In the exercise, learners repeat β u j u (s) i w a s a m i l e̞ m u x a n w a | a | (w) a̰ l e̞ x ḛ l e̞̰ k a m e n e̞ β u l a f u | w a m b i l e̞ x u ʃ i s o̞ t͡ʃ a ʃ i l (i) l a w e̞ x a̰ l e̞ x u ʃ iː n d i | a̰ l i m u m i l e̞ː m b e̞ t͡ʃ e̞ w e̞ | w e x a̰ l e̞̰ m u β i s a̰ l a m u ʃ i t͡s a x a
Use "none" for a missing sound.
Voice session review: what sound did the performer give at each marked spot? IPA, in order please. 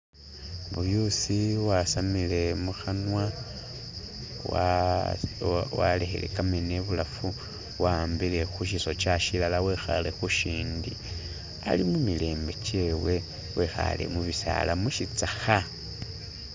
s, w, a

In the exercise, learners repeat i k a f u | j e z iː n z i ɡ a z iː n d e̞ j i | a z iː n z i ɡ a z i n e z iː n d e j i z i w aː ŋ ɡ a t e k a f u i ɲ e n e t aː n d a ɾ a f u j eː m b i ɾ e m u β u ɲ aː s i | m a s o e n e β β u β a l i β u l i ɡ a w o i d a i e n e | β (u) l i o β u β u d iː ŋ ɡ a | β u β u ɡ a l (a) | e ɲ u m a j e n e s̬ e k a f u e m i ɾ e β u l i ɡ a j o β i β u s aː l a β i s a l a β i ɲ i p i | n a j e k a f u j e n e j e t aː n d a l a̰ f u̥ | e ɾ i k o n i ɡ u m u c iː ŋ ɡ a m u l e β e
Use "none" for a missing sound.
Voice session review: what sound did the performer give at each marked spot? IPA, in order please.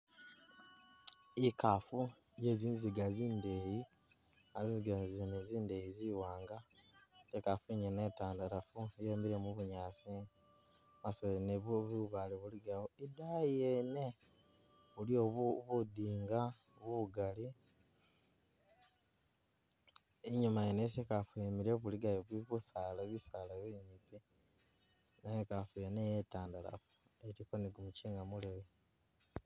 u, i

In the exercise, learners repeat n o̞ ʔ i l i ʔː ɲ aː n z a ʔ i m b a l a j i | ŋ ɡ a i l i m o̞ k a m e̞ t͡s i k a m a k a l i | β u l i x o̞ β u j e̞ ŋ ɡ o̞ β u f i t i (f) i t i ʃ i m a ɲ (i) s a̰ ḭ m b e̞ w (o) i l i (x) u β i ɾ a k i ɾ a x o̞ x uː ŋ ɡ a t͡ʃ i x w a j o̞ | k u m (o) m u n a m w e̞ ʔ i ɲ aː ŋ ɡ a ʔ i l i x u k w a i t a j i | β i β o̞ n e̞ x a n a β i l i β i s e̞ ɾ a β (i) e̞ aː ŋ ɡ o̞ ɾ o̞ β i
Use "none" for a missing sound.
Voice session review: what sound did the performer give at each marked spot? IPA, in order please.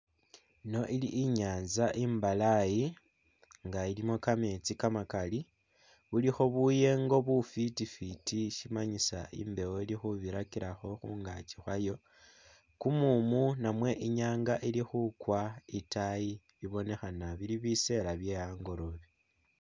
f, i, o, x, u, j

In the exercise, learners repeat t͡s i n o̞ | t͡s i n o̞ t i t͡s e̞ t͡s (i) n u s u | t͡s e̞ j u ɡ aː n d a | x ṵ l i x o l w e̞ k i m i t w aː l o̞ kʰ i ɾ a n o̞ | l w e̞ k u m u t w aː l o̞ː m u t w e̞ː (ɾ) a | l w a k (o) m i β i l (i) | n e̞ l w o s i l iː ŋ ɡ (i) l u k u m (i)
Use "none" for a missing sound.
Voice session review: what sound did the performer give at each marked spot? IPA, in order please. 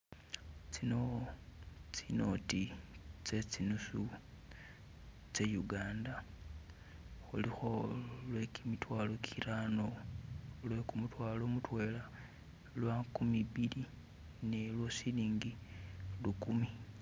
i, l, u, i, i, i

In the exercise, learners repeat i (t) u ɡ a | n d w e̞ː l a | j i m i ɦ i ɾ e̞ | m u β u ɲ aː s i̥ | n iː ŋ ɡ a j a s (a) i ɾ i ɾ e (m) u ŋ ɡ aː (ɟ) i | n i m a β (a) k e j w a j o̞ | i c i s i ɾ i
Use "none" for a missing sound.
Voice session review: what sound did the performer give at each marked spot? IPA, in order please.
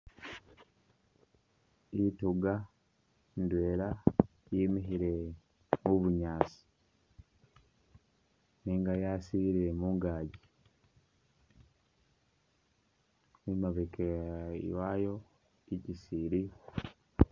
t, i, m, ɟ, e

